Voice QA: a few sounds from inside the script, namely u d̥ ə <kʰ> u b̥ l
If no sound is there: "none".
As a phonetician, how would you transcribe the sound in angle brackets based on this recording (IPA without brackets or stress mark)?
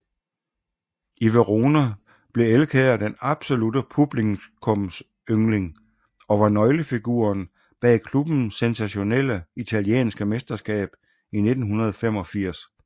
pʰ